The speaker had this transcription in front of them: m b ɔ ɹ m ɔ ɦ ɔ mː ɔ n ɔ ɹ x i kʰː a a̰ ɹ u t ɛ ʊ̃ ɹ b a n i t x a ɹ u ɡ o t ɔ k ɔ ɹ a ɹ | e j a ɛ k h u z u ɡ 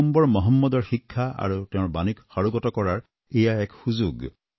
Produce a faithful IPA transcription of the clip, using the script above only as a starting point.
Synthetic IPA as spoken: m b ɔ ɹ m ɔ ɦ ɔ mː ɔ d ɔ ɹ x i kʰː a a̰ ɹ u t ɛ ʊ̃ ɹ b a n i k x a ɹ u ɡ ɔ t ɔ k ɔ ɹ a ɹ | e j a ɛ k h u z u ɡ